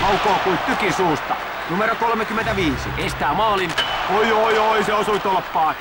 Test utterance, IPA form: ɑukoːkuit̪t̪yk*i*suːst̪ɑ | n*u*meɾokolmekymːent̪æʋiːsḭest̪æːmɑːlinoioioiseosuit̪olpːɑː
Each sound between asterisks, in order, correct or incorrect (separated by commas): correct, correct